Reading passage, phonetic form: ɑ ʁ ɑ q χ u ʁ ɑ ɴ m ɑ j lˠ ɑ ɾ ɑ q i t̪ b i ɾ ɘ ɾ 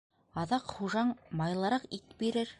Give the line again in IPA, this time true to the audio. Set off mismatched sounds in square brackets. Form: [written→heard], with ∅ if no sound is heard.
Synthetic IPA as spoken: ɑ [ʁ→ð] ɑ q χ u [ʁ→ʒ] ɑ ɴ m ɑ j lˠ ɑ ɾ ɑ q i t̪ b i ɾ ɘ ɾ

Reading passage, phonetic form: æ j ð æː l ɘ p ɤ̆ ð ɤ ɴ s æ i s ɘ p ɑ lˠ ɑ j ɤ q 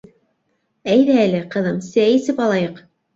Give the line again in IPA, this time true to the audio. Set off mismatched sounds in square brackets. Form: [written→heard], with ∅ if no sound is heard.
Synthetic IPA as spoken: æ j ð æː l ɘ [p→q] ɤ̆ ð ɤ [ɴ→m] s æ i s ɘ p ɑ lˠ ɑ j ɤ q

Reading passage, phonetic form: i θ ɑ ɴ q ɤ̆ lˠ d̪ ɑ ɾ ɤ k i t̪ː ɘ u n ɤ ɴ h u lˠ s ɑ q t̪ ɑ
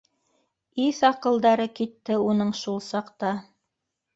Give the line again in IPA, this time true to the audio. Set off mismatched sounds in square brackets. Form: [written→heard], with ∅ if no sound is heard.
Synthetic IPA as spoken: i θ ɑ [ɴ→∅] q ɤ̆ lˠ d̪ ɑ ɾ ɤ k i t̪ː ɘ u n ɤ ɴ [h→ʃ] u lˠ s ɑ q t̪ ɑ

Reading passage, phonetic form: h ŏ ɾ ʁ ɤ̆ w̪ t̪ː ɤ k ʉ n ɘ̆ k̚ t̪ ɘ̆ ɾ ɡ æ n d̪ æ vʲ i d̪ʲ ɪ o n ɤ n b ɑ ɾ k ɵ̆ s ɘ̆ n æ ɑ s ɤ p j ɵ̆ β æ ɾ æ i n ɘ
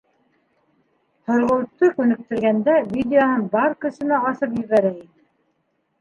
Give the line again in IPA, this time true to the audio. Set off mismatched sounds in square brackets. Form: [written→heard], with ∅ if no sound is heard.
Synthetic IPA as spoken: h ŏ ɾ ʁ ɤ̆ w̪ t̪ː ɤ k ʉ n ɘ̆ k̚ t̪ ɘ̆ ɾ ɡ æ n d̪ æ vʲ i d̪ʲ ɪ o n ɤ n b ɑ ɾ k ɵ̆ s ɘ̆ n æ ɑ s ɤ p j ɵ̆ β æ ɾ æ i n ɘ

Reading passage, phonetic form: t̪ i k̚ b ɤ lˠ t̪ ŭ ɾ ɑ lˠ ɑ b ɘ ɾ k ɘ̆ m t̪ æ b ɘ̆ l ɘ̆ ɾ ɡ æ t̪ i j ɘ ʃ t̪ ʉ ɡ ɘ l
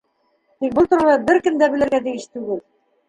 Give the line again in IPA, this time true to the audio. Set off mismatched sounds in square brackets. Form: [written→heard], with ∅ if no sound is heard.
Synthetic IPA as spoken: t̪ i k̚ b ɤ lˠ t̪ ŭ ɾ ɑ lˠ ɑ b ɘ ɾ k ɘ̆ m [t̪→d̪] æ b ɘ̆ l ɘ̆ ɾ ɡ æ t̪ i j ɘ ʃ t̪ ʉ ɡ ɘ l

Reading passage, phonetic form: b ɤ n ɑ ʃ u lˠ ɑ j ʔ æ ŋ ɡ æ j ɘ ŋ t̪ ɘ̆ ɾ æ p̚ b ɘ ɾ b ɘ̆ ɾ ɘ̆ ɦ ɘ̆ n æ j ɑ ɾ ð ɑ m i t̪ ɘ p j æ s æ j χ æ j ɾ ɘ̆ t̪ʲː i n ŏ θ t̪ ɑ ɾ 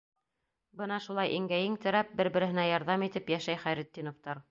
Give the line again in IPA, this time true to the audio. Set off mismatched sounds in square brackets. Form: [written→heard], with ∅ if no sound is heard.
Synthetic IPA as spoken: b ɤ n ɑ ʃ u lˠ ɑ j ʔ [æ→i] ŋ ɡ æ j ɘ ŋ t̪ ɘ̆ ɾ æ p̚ b ɘ ɾ b ɘ̆ ɾ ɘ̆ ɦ ɘ̆ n æ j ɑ ɾ ð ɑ m i t̪ ɘ p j æ [s→ʃ] æ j χ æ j ɾ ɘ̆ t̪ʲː i n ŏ [θ→f] t̪ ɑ ɾ

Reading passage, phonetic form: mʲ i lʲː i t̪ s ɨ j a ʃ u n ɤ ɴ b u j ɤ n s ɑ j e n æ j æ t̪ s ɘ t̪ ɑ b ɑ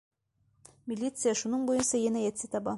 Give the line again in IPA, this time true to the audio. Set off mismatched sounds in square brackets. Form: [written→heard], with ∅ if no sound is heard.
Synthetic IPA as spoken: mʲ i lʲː i t̪ s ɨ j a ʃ u n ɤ ɴ b u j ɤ n s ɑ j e n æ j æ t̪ s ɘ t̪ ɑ b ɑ

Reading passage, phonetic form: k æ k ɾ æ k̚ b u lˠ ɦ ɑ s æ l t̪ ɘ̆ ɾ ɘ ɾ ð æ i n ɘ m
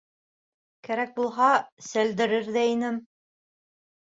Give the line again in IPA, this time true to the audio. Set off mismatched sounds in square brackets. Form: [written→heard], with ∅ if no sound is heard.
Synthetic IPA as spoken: k æ [k→∅] ɾ æ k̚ b u lˠ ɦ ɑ s æ l [t̪→d̪] ɘ̆ ɾ ɘ ɾ ð æ i n ɘ m

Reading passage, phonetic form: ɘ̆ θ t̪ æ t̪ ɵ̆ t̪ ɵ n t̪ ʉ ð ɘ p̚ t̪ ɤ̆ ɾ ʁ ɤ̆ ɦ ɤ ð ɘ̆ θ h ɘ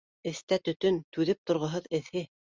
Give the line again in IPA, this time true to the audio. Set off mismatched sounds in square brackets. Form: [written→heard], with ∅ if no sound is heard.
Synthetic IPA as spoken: ɘ̆ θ t̪ æ t̪ ɵ̆ t̪ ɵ n t̪ ʉ ð ɘ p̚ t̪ [ɤ̆→ŏ] ɾ ʁ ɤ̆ ɦ ɤ ð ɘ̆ θ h ɘ

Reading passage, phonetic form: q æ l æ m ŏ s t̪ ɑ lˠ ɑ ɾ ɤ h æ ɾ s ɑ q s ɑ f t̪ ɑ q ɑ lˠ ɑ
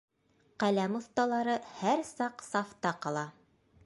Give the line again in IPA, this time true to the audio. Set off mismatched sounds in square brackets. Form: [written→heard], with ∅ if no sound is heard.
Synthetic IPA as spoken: q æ l æ m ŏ [s→θ] t̪ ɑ lˠ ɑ ɾ ɤ h æ ɾ s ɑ q s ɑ f t̪ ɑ q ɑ lˠ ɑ

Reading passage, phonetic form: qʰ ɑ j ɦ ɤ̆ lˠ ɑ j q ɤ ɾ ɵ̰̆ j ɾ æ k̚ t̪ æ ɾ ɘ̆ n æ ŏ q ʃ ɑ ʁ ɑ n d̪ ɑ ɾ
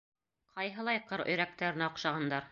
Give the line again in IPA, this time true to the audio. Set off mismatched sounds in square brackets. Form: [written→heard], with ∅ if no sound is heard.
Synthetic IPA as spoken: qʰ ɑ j ɦ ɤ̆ lˠ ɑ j q ɤ ɾ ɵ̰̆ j ɾ æ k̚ t̪ æ ɾ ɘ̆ n æ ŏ q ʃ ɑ ʁ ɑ n d̪ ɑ ɾ

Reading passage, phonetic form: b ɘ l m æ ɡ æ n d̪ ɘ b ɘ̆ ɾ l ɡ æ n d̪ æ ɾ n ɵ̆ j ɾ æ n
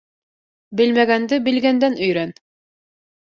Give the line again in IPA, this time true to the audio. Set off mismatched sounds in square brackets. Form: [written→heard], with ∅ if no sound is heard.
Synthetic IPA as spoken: b ɘ l m æ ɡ æ n d̪ ɘ b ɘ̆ [ɾ→∅] l ɡ æ n d̪ æ [ɾ→∅] n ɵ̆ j ɾ æ n

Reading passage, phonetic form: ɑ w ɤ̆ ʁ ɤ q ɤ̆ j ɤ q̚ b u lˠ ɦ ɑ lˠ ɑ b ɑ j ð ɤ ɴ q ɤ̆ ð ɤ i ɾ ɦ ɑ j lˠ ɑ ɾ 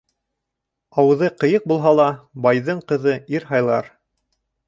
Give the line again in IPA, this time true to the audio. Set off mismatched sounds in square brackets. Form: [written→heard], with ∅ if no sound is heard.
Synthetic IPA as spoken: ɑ w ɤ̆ [ʁ→ð] ɤ q ɤ̆ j ɤ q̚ b u lˠ ɦ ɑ lˠ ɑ b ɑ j ð ɤ ɴ q ɤ̆ ð ɤ i ɾ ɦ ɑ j lˠ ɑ ɾ

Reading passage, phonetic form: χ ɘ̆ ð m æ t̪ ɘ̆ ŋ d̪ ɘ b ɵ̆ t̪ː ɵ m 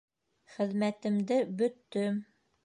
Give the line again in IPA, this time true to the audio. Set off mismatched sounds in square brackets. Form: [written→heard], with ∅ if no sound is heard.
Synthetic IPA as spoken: χ ɘ̆ ð m æ t̪ ɘ̆ [ŋ→m] d̪ ɘ b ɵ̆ t̪ː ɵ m

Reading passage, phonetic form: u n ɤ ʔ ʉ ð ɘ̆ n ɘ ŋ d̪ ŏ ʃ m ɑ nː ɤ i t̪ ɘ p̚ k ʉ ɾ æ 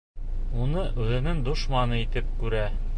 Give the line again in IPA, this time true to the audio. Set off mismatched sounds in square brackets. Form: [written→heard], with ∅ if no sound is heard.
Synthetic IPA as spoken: u n ɤ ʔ ʉ ð ɘ̆ n ɘ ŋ d̪ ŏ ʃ m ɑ [nː→n] ɤ i t̪ ɘ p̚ k ʉ ɾ æ

